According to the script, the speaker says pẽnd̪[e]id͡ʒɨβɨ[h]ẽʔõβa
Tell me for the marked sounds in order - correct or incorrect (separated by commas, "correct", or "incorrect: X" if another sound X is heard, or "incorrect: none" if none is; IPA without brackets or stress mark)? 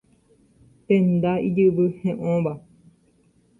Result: incorrect: a, correct